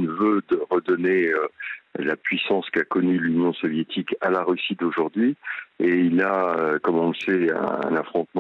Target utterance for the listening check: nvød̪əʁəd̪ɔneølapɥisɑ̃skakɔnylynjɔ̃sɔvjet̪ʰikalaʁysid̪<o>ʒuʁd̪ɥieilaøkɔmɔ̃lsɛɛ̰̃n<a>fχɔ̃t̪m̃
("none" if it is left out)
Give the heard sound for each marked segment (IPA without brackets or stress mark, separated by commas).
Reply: o, a